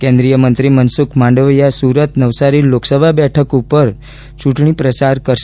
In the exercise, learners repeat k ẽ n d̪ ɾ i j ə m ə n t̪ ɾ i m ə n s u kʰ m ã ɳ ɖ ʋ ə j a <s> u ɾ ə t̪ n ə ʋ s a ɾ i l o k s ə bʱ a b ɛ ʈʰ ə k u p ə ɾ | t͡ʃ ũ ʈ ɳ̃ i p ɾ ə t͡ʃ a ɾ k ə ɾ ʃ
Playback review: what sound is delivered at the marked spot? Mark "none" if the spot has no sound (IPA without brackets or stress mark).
s